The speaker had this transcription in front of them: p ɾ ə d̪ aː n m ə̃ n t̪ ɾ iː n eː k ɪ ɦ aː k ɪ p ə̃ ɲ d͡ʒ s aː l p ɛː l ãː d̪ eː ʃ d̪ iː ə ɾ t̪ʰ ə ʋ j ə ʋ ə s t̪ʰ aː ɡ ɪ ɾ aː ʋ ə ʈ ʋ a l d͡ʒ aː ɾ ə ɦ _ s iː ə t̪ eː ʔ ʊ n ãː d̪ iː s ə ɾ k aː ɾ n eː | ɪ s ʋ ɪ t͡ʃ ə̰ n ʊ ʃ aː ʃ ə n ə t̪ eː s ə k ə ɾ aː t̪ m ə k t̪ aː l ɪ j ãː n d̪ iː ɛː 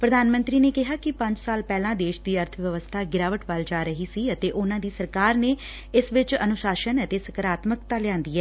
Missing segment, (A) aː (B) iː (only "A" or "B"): B